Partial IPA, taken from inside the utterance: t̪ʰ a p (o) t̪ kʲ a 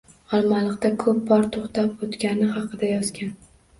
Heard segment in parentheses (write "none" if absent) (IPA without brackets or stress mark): o